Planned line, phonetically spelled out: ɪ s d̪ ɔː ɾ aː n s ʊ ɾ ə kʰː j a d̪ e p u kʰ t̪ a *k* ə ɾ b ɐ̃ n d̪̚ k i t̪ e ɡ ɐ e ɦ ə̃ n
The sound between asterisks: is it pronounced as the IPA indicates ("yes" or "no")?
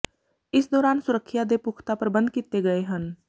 no